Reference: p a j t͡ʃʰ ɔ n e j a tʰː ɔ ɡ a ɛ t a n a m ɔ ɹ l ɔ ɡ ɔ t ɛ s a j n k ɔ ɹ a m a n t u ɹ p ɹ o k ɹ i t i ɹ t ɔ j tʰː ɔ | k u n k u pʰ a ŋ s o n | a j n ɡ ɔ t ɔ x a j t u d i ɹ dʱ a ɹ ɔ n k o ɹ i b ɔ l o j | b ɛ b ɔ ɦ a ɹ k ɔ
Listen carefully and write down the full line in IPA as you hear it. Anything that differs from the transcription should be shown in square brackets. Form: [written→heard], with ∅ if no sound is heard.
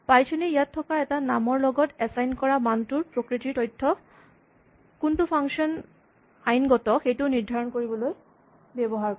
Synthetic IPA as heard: p a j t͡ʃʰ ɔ n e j a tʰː ɔ [ɡ→k] a ɛ t a n a m ɔ ɹ l ɔ ɡ ɔ t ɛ s a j n k ɔ ɹ a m a n t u ɹ p ɹ o k ɹ i t i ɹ t ɔ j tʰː ɔ | k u n [k→t] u pʰ a ŋ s [o→ɔ] n | a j n ɡ ɔ t ɔ x [a→e] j t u [d→n] i ɹ dʱ a ɹ ɔ n k o ɹ i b ɔ l o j | b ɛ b ɔ ɦ a ɹ k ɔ